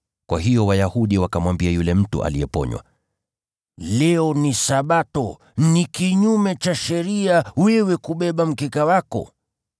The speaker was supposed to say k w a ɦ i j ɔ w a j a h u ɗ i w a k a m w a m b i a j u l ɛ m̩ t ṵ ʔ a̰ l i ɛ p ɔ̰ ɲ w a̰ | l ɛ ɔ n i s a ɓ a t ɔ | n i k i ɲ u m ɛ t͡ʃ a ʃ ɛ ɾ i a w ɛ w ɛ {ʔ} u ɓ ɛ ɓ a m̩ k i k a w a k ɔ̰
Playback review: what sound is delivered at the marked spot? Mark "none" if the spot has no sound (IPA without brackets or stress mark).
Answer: k